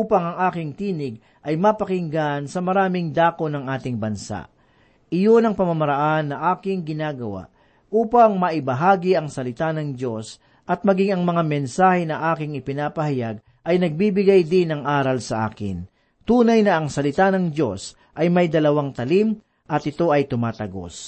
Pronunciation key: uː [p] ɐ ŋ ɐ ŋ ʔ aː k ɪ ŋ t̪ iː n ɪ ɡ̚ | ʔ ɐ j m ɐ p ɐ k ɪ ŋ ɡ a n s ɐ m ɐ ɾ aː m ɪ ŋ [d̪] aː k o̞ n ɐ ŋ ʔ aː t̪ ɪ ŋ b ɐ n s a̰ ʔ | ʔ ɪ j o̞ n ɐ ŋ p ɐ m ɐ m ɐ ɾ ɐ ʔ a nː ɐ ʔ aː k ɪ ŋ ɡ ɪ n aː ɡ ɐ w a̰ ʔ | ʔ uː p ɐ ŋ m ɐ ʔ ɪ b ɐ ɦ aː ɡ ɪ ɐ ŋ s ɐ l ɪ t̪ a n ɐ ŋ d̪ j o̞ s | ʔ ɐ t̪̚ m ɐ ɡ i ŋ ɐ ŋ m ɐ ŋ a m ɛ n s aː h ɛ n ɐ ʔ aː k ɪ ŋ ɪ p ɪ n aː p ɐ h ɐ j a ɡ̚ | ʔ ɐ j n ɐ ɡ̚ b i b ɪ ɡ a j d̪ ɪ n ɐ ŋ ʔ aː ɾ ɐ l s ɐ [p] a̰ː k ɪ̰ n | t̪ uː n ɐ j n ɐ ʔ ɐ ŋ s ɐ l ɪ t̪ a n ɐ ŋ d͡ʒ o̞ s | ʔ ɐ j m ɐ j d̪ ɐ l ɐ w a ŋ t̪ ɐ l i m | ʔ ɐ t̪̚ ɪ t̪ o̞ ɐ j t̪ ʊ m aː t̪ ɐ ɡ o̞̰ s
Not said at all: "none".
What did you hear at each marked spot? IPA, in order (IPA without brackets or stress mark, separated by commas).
p, d̪, ʔ